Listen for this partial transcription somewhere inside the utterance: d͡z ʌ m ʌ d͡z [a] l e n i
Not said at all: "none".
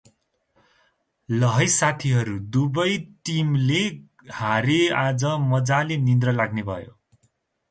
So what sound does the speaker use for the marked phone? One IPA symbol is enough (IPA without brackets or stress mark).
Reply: a